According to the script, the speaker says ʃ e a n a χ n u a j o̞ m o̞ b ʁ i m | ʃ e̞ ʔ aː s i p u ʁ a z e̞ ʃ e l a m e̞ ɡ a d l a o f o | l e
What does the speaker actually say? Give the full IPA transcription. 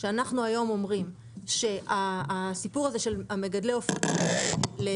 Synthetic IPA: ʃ e a n a χ n u a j o̞ m o̞ m ʁ i m | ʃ e̞ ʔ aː s i p u ʁ a z e̞ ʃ e l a m e̞ ɡ a d l e o f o | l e